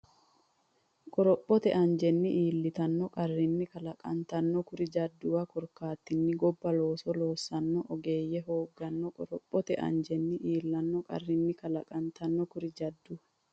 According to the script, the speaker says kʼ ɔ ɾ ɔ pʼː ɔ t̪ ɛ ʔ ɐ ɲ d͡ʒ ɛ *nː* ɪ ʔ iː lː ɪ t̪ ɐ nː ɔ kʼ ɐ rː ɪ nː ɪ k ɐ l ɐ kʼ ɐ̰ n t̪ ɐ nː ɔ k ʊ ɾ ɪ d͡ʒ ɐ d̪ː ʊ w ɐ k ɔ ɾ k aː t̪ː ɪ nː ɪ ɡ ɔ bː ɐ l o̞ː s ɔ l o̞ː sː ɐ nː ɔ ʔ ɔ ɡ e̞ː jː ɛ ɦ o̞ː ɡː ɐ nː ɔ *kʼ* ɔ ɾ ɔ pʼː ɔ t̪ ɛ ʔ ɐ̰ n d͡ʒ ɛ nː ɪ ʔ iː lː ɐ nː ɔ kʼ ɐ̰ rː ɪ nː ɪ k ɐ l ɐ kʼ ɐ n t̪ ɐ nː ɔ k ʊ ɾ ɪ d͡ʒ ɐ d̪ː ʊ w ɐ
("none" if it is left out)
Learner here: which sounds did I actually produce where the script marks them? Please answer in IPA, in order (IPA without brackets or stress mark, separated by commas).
nː, kʼ